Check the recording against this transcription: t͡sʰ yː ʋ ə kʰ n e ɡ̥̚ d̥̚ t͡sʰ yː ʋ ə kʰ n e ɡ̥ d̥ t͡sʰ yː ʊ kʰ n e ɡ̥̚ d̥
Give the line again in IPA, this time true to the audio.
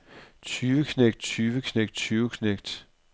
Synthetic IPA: t͡sʰ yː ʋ ə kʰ n e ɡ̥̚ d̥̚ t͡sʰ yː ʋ ə kʰ n e ɡ̥ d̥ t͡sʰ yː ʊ kʰ n e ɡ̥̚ d̥

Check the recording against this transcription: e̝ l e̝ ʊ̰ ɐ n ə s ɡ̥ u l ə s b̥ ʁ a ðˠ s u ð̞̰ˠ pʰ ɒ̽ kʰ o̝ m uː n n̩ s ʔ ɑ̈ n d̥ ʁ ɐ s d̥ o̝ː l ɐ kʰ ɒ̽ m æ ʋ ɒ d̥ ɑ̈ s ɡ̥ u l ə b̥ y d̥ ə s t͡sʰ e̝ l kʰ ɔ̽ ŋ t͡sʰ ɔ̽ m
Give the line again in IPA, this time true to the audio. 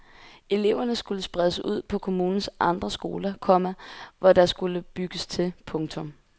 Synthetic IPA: e̝ l e̝ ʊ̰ ɐ n ə s ɡ̥ u l ə s b̥ ʁ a ðˠ s u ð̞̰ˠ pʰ ɒ̽ kʰ o̝ m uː n n̩ s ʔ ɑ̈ n d̥ ʁ ɐ s ɡ̥ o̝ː l ɐ kʰ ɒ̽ m æ ʋ ɒ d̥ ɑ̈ s ɡ̥ u l ə b̥ y ɡ̥ ə s t͡sʰ e̝ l pʰ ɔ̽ ŋ t͡sʰ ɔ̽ m

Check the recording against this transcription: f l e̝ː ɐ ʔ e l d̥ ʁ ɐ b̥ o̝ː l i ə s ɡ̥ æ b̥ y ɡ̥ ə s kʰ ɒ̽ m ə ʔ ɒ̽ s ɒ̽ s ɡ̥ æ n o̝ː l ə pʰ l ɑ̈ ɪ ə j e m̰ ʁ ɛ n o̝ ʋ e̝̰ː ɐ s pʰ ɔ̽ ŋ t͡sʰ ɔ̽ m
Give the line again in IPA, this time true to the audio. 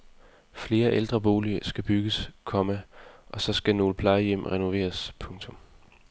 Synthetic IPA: f l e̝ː ɐ ʔ e l d̥ ʁ ɐ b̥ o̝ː l i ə s ɡ̥ æ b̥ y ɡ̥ ə s kʰ ɒ̽ m ə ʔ ɒ̽ s ɒ̽ s ɡ̥ æ n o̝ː l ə pʰ l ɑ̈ ɪ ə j e m̰ ʁ ɛ n o̝ ʋ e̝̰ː ɐ s pʰ ɔ̽ ŋ t͡sʰ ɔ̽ m

